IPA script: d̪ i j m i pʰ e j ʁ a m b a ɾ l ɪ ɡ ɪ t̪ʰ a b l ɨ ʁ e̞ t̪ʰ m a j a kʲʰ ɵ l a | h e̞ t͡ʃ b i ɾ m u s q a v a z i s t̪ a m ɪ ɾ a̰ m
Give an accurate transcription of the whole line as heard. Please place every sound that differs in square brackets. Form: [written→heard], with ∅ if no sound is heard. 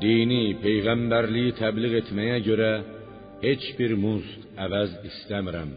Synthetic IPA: d̪ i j [m→n] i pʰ e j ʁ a m b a ɾ l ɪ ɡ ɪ t̪ʰ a b l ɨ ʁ e̞ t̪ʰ m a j a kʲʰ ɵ [l→ɾ] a | h e̞ t͡ʃ b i ɾ m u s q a v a z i s t̪ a m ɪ ɾ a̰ m